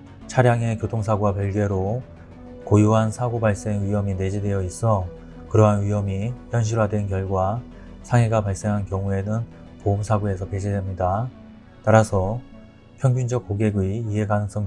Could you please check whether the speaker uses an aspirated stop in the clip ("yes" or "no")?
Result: yes